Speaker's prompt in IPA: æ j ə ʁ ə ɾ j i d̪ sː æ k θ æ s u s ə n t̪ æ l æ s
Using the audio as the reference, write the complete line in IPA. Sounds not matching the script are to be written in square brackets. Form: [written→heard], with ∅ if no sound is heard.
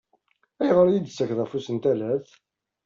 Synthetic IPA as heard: æ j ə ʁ ə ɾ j i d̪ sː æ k [θ→ð] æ [s→f] u s ə n t̪ æ l æ [s→θ]